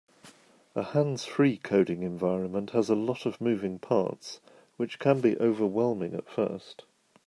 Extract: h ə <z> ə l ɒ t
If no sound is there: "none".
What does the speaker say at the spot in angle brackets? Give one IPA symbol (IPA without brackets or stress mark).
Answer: z